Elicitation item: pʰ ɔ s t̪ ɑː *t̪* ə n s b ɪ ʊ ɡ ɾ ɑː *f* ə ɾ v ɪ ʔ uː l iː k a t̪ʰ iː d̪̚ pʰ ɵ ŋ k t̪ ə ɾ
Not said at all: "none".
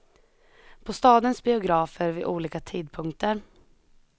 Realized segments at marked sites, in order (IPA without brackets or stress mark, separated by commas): d̪, f